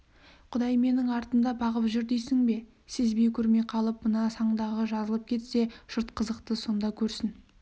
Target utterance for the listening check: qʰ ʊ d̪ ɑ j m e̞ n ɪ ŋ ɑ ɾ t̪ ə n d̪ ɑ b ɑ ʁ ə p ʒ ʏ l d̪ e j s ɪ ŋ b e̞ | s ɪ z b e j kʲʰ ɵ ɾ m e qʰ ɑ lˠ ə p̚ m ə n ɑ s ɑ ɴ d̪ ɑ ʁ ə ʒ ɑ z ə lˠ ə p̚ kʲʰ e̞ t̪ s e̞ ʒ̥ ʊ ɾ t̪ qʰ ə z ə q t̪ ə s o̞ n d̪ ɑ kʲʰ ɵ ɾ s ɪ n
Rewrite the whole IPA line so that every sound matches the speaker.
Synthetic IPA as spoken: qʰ ʊ d̪ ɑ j m e̞ n ɪ ŋ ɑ ɾ t̪ ə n d̪ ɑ b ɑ ʁ ə p ʒ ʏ ɾ d̪ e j s ɪ ŋ b e̞ | s ɪ z b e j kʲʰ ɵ ɾ m e qʰ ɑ lˠ ə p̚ m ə n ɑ s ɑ ɴ d̪ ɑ ʁ ə ʒ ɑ z ə lˠ ə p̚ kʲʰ e̞ t̪ s e̞ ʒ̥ ʊ ɾ t̪ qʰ ə z ə q t̪ ə s o̞ n d̪ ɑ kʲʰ ɵ ɾ s ɪ n